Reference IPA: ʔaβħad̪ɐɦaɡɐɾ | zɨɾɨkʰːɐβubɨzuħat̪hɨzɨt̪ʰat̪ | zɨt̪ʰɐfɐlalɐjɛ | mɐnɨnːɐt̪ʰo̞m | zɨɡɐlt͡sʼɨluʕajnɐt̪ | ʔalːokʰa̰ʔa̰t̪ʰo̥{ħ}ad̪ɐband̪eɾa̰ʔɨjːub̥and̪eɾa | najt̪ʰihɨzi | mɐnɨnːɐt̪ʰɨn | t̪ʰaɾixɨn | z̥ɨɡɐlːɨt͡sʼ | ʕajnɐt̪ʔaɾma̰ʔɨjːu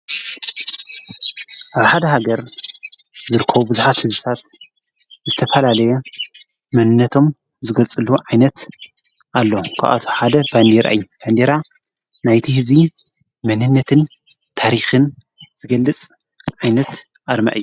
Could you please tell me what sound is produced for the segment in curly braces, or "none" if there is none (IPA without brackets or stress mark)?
ħ